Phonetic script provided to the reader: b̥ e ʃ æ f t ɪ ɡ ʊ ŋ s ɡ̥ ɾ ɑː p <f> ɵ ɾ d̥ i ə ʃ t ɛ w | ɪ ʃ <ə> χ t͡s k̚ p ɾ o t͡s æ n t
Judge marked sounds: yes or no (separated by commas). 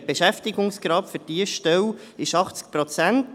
yes, no